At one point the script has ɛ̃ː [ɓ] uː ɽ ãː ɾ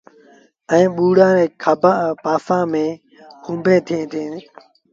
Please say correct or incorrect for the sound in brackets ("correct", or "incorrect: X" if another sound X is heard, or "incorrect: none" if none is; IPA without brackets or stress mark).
correct